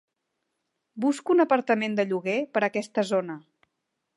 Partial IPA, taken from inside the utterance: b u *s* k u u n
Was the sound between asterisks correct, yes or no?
yes